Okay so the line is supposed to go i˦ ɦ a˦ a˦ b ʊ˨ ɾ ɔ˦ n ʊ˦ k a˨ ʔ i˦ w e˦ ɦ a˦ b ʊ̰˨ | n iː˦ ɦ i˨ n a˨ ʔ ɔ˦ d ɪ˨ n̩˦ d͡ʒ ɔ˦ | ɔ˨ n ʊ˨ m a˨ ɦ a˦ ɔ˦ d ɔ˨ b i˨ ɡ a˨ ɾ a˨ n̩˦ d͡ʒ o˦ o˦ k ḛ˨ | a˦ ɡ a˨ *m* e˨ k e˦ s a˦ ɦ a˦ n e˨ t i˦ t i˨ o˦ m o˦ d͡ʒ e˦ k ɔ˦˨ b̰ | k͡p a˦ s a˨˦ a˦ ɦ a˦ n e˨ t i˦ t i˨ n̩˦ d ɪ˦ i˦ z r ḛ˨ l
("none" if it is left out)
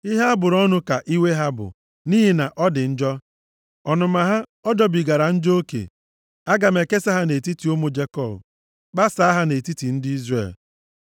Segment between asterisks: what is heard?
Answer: m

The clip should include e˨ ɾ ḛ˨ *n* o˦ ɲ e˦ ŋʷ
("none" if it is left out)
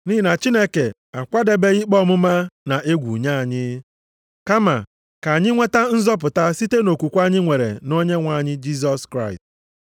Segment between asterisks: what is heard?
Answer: n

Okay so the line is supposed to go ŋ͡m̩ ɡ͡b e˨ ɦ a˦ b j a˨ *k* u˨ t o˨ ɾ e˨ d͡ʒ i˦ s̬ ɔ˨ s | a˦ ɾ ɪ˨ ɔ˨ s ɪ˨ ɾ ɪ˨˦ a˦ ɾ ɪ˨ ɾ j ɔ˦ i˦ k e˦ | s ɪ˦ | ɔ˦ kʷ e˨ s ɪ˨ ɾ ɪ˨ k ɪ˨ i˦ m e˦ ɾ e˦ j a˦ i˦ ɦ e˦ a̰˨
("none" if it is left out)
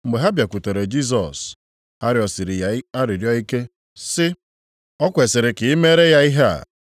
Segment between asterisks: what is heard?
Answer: k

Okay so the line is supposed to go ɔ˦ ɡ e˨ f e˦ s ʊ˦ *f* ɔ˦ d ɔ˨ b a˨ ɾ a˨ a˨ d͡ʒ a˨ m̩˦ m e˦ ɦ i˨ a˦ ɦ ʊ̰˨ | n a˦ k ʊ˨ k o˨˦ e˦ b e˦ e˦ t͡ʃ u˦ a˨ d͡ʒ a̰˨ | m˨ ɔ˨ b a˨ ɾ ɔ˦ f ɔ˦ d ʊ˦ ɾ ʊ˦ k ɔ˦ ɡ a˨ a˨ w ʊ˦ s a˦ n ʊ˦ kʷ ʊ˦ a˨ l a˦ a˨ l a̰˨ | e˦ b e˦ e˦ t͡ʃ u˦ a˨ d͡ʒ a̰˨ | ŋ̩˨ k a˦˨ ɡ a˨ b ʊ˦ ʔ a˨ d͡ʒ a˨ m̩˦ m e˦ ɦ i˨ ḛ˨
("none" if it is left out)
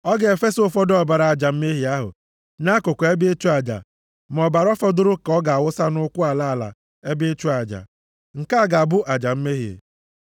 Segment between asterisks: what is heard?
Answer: f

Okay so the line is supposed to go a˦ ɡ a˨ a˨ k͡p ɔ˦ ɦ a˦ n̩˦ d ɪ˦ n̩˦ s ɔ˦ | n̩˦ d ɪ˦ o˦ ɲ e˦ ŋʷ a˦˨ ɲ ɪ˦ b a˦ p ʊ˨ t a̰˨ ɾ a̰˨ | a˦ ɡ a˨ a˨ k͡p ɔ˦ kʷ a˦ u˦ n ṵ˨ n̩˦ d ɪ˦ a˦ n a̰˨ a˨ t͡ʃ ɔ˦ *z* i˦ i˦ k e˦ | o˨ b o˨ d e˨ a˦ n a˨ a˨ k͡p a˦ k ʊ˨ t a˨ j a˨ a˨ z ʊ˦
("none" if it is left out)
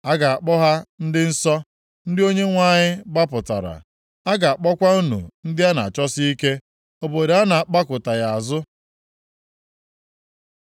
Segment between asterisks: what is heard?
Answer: s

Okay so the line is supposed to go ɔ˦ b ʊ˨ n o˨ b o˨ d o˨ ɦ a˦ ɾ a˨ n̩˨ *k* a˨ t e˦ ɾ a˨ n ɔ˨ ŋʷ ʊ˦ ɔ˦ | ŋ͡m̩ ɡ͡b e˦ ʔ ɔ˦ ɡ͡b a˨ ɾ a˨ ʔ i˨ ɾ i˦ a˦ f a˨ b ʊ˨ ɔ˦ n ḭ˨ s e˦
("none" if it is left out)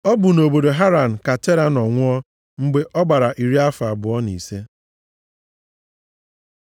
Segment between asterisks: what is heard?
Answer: k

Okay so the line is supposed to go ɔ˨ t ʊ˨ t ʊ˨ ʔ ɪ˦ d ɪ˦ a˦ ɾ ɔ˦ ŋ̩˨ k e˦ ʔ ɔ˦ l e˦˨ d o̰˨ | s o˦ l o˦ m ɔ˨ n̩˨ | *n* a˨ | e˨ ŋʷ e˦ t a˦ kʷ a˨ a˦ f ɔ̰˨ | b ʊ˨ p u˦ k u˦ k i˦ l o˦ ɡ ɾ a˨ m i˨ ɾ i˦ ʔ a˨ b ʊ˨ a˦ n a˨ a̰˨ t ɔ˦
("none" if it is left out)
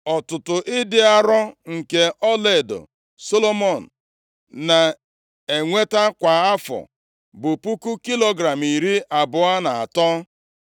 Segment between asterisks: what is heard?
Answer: n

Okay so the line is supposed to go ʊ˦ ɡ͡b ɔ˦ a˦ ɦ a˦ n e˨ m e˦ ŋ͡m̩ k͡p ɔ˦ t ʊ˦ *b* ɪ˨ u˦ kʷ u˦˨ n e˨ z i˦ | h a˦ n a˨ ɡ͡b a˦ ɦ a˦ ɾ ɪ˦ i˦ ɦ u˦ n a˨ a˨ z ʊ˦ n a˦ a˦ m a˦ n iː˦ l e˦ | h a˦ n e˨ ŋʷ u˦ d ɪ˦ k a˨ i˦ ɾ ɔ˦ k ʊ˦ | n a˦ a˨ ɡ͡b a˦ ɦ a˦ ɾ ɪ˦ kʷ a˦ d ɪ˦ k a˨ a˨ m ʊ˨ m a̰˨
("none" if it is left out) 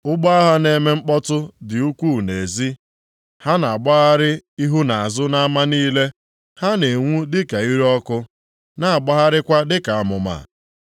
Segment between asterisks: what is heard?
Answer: d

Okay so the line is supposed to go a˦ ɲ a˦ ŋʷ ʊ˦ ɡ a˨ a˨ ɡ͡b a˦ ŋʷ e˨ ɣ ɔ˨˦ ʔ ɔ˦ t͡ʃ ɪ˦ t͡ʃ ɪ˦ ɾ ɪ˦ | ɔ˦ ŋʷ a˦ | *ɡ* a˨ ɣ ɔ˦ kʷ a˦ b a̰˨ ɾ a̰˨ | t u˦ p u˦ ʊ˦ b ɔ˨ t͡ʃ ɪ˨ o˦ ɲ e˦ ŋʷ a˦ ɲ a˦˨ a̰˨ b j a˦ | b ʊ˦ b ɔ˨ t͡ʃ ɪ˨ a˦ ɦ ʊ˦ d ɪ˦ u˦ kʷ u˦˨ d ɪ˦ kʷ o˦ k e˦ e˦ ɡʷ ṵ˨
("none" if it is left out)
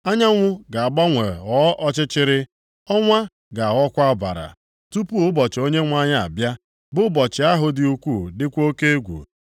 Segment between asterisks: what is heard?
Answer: ɡ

